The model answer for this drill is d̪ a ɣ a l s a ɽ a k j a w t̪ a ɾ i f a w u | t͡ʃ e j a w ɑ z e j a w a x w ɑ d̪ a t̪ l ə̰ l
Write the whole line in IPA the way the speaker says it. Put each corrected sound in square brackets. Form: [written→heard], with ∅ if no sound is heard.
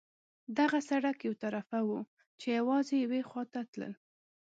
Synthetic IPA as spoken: d̪ a ɣ a [l→∅] s a ɽ a k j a w t̪ a ɾ [i→a] f a w u | t͡ʃ e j a w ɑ z e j a w [a→e] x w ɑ [d̪→t̪] a t̪ l ə̰ l